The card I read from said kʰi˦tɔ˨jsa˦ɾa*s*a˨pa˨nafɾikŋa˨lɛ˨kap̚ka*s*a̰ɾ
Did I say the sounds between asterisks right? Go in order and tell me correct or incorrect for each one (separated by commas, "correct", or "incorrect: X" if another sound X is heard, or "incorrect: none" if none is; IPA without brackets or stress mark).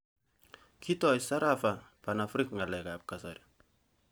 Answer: incorrect: f, correct